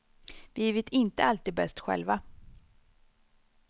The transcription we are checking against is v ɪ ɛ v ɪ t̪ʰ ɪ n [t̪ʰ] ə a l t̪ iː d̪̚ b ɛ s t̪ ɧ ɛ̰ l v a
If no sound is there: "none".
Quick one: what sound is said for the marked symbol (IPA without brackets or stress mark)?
t̪